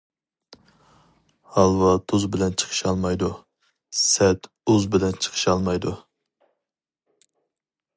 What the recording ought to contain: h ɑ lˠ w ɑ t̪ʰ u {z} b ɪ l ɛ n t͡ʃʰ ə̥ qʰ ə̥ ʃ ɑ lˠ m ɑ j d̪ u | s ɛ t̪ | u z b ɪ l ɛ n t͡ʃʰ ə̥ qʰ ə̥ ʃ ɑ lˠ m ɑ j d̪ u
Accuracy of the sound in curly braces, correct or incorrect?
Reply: correct